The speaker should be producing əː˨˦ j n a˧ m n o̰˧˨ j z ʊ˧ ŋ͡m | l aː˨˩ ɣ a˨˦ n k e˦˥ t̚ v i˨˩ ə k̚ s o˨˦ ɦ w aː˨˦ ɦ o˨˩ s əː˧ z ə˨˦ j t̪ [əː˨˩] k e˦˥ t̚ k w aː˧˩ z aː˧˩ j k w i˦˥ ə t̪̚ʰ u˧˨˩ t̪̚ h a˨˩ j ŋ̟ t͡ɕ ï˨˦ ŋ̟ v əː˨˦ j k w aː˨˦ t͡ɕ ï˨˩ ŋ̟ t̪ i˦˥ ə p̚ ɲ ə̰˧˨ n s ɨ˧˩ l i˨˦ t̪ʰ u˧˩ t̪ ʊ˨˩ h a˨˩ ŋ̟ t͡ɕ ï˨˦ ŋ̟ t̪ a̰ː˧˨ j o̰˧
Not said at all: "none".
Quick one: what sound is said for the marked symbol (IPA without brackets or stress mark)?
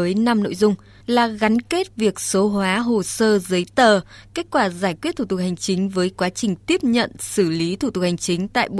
əː˨˩